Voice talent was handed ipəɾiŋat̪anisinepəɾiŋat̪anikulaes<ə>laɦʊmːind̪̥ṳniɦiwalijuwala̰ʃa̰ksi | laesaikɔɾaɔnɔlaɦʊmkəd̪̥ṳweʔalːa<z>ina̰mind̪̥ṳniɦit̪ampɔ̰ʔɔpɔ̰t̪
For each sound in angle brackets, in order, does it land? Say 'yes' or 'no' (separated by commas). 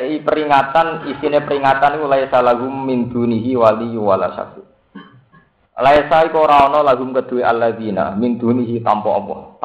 no, no